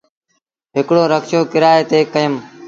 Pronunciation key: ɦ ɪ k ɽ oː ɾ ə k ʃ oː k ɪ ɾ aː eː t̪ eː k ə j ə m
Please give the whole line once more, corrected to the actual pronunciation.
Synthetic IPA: ɦ ɪ k ɽ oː ɾ ə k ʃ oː k ɪ ɾ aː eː t̪ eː k ə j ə m